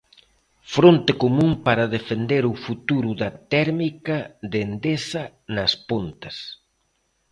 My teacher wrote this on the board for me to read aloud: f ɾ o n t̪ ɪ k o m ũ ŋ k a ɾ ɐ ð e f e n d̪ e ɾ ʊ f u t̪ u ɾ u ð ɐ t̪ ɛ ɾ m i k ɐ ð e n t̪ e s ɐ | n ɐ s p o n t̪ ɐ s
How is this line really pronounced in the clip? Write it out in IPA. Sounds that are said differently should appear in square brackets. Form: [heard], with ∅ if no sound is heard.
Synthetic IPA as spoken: f ɾ o n t̪ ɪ k o m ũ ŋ [p] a ɾ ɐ ð e f e n d̪ e ɾ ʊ f u t̪ u ɾ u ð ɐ t̪ ɛ ɾ m i k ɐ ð e n [d̪] e s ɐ | n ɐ s p o n t̪ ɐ s